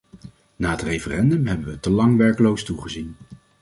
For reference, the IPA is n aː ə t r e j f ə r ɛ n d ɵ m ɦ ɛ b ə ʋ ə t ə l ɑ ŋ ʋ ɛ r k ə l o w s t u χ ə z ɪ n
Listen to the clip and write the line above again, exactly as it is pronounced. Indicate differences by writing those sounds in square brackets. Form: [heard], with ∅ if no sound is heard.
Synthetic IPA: n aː ə t r e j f ə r ɛ n d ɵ m ɦ ɛ b ə ʋ ə t ə l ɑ ŋ ʋ ɛ [ɹ] k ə l o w s t u χ ə z [i] n